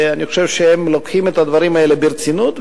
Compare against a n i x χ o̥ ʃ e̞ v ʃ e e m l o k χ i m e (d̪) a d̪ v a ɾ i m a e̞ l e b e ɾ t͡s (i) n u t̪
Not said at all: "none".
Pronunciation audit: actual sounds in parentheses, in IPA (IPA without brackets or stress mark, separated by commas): t̪, i